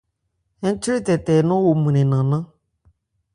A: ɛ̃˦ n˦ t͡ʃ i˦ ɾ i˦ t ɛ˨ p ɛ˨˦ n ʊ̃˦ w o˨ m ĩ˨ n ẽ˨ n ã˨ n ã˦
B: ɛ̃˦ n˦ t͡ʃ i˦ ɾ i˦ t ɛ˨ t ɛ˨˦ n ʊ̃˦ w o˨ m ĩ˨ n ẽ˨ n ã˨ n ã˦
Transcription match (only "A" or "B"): B